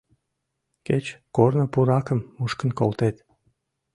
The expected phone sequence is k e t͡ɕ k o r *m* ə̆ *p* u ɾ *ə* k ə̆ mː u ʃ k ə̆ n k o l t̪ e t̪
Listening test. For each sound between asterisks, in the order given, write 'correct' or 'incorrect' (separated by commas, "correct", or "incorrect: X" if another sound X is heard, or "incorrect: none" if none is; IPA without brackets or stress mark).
incorrect: n, correct, incorrect: ɑ